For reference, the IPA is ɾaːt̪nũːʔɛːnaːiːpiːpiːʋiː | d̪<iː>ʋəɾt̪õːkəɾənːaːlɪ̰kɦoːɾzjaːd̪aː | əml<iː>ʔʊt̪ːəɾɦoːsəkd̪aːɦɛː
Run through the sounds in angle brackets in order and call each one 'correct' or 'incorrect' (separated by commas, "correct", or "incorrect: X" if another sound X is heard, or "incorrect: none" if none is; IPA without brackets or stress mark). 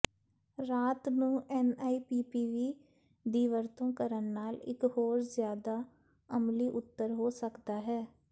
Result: correct, correct